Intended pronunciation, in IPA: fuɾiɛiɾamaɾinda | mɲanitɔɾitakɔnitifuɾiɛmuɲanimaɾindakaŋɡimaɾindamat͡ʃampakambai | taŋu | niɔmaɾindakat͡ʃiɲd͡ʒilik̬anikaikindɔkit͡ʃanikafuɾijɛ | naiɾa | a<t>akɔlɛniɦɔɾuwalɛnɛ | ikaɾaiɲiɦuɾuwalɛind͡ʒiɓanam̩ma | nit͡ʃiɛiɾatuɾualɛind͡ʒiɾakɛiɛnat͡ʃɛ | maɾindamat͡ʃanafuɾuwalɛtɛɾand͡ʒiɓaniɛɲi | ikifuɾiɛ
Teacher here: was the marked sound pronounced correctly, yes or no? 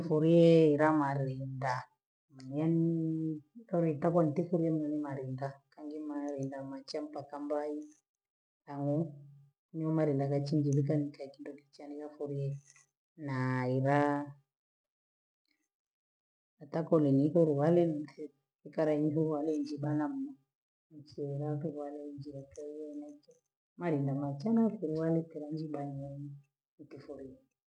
yes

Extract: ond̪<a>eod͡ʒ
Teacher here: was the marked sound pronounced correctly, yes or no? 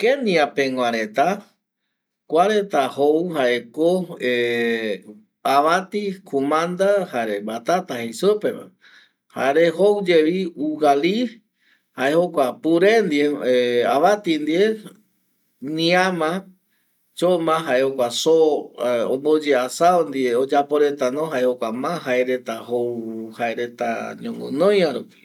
no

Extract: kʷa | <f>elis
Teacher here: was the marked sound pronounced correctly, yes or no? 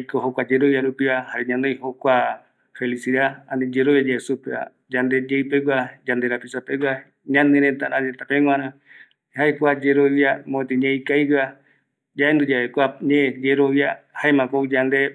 yes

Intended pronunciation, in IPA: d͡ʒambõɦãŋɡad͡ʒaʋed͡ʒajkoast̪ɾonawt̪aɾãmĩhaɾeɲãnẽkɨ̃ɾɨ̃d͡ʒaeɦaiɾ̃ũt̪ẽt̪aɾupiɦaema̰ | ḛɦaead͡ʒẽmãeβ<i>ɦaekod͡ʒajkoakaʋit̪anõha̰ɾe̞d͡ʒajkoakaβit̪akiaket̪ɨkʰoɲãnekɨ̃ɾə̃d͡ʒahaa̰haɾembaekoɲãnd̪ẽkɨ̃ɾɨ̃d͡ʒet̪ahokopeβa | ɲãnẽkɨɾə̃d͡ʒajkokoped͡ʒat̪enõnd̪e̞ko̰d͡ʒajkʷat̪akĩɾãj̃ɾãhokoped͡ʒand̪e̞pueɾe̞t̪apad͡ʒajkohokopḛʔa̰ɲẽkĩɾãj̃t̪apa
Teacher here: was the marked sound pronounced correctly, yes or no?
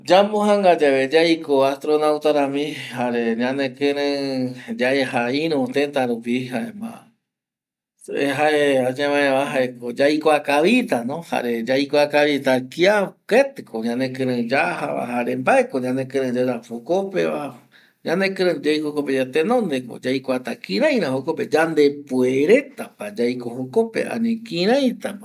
no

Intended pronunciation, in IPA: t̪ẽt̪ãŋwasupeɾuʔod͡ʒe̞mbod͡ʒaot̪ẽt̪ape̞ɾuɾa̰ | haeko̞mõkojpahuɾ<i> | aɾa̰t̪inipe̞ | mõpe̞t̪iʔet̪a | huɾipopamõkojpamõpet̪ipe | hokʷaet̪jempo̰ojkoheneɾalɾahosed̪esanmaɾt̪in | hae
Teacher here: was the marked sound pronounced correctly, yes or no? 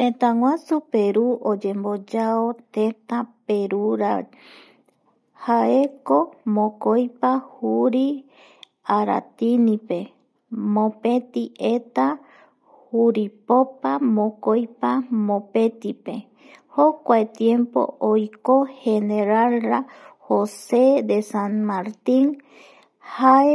yes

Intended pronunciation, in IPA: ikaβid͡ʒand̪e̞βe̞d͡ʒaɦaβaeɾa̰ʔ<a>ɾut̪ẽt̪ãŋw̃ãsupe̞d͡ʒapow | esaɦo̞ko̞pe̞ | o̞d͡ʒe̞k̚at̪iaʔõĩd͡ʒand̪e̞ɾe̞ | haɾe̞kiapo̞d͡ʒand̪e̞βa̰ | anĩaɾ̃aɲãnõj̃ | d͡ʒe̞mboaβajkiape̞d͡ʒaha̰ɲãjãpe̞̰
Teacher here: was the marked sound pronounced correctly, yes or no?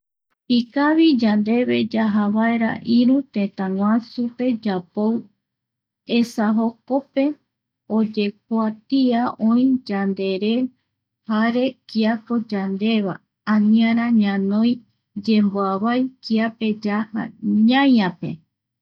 no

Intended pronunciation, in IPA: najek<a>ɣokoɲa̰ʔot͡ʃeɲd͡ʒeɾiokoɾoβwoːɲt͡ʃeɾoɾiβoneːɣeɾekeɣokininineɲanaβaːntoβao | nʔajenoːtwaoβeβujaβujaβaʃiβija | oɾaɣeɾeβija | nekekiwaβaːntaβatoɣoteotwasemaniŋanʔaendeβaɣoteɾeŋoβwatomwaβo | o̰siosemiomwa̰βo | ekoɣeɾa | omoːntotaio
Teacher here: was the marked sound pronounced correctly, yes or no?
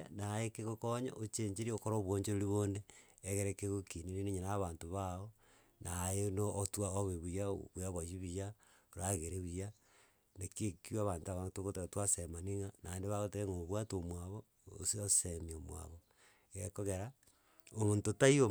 no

